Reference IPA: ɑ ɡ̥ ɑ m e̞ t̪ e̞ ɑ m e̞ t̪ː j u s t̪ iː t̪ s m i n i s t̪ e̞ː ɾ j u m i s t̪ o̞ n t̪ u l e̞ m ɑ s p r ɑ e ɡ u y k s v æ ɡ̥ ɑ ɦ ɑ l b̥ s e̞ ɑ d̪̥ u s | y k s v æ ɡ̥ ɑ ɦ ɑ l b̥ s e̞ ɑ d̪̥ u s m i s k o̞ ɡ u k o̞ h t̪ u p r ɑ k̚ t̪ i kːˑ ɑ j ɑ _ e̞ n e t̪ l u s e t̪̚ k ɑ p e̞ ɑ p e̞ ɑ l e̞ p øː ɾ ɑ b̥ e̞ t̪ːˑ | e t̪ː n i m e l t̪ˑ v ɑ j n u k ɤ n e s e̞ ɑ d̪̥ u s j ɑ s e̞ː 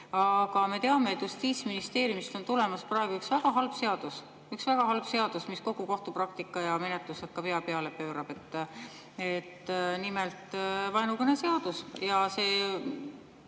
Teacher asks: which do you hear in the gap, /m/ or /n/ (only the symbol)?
m